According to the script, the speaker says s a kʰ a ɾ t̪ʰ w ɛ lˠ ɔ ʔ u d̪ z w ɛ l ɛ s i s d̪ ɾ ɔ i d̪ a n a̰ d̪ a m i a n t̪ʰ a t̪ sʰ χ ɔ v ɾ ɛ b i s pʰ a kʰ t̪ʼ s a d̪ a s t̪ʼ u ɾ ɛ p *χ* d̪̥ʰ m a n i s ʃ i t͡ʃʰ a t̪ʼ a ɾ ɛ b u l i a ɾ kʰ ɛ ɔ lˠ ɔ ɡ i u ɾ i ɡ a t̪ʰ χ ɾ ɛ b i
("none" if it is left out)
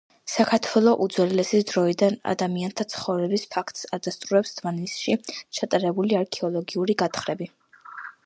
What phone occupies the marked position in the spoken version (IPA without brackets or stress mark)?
s